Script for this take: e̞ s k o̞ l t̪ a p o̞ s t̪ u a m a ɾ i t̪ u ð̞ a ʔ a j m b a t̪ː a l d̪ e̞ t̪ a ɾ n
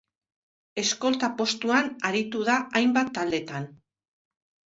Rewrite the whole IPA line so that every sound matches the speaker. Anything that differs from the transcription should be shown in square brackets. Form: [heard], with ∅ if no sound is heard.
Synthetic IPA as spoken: e̞ s k o̞ l t̪ a p o̞ s t̪ u a [n] a ɾ i t̪ u ð̞ a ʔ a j m b a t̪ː a l d̪ e̞ t̪ a [∅] n